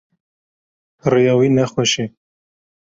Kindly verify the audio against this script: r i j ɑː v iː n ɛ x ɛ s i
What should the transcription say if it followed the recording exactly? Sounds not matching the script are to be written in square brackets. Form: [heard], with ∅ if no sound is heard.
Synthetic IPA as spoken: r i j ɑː [w] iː n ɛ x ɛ [ʃ] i